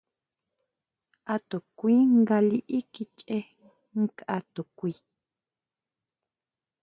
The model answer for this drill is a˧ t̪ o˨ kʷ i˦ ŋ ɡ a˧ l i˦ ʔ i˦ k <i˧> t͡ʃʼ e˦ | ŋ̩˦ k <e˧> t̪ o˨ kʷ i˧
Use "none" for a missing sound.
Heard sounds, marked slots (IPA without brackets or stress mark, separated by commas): i˧, a˧